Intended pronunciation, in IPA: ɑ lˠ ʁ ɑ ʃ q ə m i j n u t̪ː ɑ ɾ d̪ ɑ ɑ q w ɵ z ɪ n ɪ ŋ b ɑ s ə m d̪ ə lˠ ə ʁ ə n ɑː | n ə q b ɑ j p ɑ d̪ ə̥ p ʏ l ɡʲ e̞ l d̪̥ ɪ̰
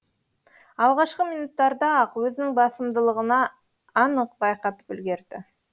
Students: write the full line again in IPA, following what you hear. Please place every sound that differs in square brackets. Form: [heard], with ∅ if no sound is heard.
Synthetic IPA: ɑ lˠ ʁ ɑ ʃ q ə m i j n u t̪ː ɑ ɾ d̪ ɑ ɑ q w ɵ z ɪ n ɪ ŋ b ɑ s ə m d̪ ə lˠ ə ʁ ə n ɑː | n ə q b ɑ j [q] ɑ [t̪] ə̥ p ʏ l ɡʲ e̞ [ɾ] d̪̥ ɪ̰